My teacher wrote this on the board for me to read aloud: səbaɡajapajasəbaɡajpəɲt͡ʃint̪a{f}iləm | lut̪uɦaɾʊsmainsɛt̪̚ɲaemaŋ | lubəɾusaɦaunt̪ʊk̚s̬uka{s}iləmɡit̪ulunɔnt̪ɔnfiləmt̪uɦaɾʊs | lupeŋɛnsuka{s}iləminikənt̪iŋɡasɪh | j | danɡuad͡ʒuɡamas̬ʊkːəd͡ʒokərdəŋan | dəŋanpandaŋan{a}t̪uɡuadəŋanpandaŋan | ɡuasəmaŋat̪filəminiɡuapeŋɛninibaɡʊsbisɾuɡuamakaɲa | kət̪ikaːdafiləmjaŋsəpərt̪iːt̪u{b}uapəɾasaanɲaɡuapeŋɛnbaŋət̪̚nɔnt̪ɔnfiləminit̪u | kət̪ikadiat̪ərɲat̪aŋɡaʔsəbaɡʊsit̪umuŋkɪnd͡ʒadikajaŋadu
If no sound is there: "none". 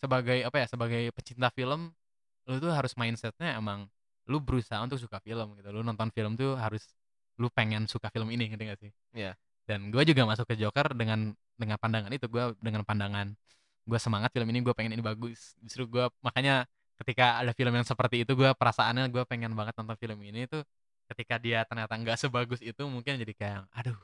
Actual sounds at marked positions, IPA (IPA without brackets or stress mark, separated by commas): f, f, f, i, ɡ